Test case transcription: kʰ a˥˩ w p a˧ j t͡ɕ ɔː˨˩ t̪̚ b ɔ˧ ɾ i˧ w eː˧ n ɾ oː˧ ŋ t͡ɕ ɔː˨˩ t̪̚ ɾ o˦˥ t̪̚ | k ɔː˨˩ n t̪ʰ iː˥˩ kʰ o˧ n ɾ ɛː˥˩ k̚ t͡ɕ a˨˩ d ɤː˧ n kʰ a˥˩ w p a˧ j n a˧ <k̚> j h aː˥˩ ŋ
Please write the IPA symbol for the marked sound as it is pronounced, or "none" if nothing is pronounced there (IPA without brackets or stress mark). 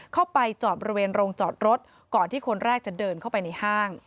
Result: none